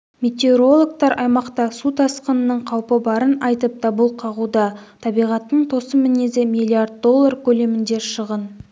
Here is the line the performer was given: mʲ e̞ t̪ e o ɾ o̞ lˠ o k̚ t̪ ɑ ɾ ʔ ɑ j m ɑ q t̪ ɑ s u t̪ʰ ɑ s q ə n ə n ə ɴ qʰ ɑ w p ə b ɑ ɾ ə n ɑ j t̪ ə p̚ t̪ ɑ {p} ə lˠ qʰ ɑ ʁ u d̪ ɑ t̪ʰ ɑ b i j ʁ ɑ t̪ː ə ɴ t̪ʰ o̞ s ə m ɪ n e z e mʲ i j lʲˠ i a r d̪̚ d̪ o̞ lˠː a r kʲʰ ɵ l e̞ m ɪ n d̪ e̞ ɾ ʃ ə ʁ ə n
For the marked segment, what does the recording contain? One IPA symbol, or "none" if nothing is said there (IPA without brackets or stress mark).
b